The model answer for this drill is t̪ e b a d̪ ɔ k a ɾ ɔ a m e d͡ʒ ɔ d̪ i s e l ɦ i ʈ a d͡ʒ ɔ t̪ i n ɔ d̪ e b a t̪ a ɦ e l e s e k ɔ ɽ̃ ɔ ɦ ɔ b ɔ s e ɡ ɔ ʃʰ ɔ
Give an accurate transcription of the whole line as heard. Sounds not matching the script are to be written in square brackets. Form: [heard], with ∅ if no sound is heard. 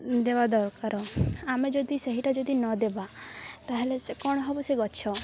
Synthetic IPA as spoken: [d̪] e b a d̪ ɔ k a ɾ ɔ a m e d͡ʒ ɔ d̪ i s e [∅] ɦ i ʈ a d͡ʒ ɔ [d̪] i n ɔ d̪ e b a t̪ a ɦ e l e s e k ɔ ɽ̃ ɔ ɦ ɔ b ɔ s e ɡ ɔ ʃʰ ɔ